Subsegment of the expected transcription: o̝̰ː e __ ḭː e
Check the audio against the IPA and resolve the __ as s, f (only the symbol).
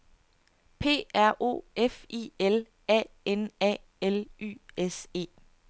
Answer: f